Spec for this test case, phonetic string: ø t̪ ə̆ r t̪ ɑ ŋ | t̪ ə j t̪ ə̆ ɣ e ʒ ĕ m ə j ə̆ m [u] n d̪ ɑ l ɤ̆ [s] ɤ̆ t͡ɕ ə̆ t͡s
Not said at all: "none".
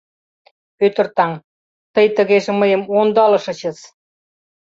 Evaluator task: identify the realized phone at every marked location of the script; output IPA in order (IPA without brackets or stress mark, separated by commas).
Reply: o, ʃ